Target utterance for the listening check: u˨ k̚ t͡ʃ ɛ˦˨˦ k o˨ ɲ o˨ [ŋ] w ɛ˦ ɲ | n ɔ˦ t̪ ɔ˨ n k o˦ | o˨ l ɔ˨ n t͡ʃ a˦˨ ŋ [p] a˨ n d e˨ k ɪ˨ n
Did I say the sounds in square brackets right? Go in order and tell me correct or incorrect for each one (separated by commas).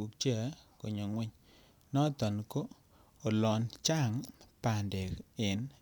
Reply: correct, correct